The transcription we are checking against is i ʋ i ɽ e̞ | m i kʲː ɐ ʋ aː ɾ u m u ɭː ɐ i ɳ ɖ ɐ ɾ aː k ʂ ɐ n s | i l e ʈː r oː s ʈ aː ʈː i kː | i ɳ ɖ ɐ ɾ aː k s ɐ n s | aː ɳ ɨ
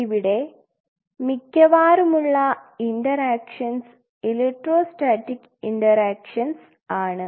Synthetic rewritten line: i ʋ i ɽ e̞ | m i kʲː ɐ ʋ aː ɾ u m u ɭː ɐ i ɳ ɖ ɐ ɾ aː k ʂ ɐ n s | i l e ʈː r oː s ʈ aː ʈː i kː | i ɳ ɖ ɐ ɾ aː k ʂ ɐ n s | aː ɳ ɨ